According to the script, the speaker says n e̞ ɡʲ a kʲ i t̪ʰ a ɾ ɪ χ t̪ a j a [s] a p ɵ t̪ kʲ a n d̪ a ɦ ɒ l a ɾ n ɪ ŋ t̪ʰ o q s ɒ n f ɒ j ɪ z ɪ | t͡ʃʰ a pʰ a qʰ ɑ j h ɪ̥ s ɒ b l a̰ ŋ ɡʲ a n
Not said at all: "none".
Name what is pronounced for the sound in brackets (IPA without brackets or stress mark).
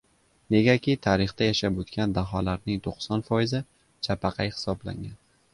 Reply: ʃ